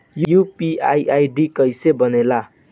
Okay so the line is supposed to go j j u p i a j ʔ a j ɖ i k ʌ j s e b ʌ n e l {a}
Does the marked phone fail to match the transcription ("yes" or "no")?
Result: no